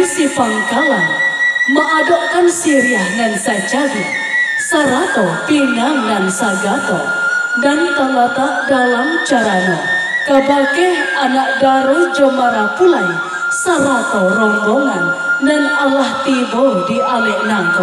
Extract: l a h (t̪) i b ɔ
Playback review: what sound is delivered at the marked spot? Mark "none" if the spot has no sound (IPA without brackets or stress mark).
t̪